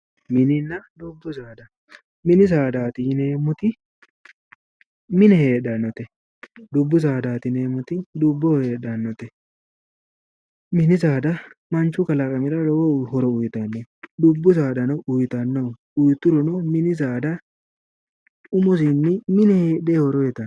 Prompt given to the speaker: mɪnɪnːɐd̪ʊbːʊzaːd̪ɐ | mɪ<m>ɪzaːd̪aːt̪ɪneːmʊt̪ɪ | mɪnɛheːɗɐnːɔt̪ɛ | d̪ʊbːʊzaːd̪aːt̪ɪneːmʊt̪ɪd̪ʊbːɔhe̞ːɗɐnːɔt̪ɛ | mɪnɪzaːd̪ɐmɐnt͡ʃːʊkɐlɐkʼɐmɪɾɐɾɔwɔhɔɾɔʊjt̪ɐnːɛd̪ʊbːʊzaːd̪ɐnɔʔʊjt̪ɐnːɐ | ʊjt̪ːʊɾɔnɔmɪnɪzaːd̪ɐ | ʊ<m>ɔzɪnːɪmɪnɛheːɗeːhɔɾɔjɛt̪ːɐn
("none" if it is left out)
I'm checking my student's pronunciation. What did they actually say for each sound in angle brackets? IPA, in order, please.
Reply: n, m

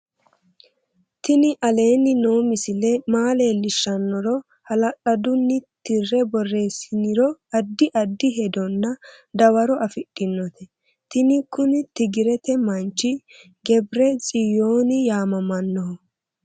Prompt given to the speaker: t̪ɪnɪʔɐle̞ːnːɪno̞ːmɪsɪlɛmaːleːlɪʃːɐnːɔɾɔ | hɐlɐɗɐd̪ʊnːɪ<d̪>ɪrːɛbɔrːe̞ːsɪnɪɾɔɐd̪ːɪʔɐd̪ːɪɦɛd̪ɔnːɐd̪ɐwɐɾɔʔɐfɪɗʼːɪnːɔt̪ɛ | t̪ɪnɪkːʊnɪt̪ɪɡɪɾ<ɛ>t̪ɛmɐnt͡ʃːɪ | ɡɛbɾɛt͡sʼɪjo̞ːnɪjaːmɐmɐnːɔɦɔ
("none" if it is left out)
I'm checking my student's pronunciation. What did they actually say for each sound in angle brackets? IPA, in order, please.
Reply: t̪, ɛ

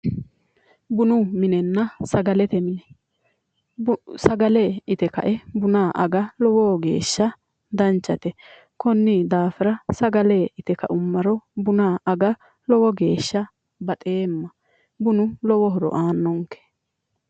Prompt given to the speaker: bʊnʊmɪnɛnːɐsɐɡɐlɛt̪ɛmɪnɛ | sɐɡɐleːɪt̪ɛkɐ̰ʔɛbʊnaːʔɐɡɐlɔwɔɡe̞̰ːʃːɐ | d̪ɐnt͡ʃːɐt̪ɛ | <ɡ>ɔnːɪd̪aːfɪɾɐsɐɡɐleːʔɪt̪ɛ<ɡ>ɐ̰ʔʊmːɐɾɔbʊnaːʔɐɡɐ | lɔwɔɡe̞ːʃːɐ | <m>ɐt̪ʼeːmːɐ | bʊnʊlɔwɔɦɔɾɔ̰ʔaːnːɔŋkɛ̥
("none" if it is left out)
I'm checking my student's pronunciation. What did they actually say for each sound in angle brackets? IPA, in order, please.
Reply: k, k, b

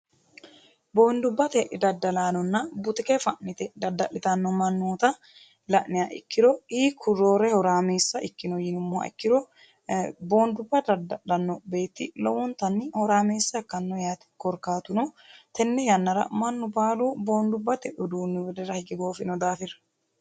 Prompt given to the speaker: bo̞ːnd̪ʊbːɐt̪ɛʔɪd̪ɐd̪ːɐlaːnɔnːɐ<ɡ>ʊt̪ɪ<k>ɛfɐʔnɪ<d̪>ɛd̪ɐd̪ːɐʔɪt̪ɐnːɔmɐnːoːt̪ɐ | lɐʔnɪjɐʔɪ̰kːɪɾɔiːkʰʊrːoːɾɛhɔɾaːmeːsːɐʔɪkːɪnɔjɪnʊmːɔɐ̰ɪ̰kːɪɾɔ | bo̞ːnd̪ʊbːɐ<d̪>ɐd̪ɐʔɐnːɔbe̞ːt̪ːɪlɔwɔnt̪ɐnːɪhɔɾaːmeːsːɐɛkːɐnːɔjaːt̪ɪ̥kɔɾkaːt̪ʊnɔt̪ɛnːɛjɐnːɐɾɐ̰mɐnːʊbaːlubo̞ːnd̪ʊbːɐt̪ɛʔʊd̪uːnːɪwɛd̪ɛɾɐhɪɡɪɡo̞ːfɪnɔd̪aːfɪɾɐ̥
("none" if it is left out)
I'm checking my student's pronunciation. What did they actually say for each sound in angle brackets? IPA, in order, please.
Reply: b, k, t̪, d̪

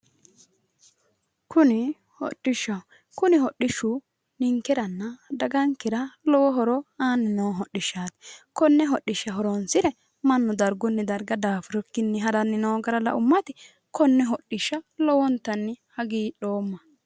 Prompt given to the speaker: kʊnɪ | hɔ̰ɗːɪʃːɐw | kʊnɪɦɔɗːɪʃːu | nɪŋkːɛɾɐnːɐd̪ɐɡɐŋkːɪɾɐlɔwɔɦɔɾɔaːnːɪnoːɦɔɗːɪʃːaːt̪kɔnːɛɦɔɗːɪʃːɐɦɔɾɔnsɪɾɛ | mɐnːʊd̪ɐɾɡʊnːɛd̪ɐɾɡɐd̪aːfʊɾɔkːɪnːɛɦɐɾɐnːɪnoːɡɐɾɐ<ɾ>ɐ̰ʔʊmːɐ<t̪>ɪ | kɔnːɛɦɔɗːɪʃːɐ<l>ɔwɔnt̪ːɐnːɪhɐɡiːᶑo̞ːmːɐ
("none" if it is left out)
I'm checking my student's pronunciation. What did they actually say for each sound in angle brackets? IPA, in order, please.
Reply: l, t̪, l

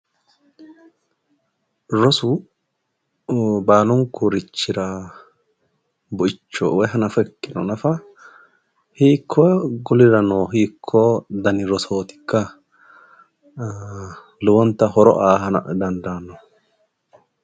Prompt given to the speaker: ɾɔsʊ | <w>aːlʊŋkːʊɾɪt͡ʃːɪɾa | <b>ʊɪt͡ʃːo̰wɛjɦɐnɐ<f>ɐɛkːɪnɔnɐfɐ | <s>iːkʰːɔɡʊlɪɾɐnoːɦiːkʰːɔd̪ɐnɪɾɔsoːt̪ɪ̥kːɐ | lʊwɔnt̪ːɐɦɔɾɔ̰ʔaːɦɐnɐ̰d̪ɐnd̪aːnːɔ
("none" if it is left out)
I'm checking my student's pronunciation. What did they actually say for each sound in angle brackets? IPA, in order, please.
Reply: b, b, f, h

